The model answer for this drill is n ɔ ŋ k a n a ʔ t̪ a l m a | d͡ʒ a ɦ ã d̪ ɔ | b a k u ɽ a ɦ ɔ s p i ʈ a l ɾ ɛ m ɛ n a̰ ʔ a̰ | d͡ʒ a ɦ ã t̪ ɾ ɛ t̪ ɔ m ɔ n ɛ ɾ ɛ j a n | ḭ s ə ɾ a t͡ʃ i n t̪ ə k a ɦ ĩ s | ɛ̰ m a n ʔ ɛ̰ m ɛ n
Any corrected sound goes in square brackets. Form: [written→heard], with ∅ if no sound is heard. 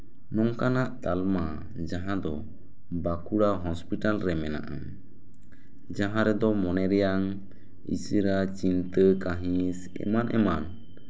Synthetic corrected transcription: n ɔ ŋ k a n a ʔ t̪ a l m a | d͡ʒ a ɦ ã d̪ ɔ | b a k u ɽ a ɦ ɔ s p i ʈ a l ɾ ɛ m ɛ n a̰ ʔ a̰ | d͡ʒ a ɦ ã [t̪→∅] ɾ ɛ [t̪→d̪] ɔ m ɔ n ɛ ɾ ɛ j a [n→ŋ] | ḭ s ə ɾ a t͡ʃ i n t̪ ə k a ɦ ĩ s | ɛ̰ m a n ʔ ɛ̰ m [ɛ→a] n